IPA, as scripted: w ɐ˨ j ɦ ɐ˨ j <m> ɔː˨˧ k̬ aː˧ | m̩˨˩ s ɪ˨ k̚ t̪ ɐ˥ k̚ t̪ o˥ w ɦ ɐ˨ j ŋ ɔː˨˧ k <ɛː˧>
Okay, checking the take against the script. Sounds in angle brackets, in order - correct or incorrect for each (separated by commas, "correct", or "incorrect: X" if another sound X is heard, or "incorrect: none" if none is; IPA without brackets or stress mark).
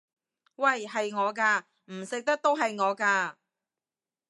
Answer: incorrect: ŋ, incorrect: aː˧